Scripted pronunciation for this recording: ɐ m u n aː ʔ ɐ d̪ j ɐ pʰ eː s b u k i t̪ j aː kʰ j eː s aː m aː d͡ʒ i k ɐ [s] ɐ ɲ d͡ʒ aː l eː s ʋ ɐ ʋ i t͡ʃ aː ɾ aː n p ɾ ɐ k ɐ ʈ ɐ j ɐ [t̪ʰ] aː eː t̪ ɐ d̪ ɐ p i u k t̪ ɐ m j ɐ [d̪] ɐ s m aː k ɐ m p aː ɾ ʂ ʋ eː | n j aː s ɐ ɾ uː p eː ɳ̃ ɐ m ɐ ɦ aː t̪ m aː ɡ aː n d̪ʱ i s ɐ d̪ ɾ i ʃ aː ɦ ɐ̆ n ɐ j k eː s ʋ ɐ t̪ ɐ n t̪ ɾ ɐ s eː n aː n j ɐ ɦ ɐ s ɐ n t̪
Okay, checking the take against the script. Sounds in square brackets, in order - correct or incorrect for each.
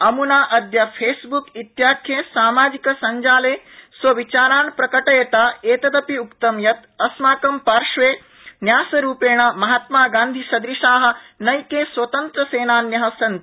correct, incorrect: t̪, incorrect: t̪

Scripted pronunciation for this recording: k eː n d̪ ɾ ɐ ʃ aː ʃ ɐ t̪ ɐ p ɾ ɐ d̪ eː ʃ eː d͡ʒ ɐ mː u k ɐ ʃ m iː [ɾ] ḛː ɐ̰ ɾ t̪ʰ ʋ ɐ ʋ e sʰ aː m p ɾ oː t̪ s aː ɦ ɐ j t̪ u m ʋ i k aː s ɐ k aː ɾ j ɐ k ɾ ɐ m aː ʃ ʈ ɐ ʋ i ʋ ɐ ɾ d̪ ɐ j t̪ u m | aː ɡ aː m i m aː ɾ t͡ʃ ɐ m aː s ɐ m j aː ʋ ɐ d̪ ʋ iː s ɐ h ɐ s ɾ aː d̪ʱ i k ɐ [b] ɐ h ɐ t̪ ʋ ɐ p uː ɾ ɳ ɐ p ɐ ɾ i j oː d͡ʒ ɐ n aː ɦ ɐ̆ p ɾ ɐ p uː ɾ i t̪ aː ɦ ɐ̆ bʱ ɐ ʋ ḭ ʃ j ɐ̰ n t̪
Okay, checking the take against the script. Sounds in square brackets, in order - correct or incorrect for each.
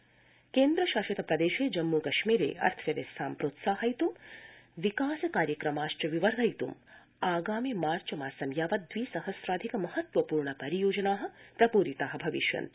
correct, incorrect: m

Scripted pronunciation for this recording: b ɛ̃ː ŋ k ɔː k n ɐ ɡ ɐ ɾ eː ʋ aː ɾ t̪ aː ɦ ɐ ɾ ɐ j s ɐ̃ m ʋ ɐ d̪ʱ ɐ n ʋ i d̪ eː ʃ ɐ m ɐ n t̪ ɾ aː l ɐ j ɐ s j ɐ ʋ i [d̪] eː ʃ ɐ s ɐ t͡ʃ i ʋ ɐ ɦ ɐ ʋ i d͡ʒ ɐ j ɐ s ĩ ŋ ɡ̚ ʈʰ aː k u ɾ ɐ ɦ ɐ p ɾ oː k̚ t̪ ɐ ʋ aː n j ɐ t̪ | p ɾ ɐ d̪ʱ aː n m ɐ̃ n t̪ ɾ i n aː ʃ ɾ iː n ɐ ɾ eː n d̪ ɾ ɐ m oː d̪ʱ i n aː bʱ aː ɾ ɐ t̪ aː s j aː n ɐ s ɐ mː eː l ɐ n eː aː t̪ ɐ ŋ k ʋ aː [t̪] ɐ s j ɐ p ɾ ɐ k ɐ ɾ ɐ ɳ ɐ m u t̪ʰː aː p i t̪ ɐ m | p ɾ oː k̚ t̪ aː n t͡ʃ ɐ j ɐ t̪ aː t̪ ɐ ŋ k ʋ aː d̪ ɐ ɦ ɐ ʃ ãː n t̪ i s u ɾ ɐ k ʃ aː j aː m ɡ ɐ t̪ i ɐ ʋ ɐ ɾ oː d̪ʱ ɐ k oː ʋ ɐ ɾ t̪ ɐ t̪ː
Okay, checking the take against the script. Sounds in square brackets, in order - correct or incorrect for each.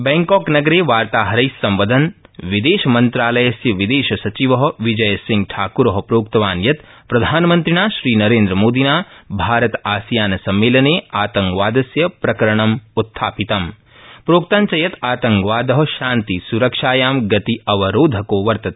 correct, incorrect: d̪

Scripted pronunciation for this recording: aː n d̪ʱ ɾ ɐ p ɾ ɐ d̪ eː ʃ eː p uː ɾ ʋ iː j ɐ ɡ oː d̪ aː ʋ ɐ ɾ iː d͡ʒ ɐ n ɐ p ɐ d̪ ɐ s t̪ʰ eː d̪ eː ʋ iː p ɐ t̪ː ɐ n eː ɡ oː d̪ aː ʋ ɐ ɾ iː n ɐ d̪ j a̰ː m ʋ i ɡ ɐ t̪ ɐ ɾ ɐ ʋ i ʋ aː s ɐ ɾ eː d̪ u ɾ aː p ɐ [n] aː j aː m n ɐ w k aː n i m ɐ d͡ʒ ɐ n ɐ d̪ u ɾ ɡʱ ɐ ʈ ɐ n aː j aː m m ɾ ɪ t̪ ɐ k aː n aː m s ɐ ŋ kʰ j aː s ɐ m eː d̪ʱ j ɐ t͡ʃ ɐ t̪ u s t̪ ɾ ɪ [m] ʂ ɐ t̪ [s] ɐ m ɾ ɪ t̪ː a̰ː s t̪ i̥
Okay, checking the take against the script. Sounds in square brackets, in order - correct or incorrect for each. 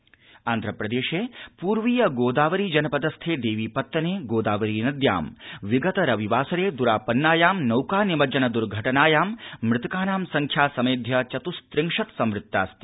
incorrect: nː, incorrect: ŋ, correct

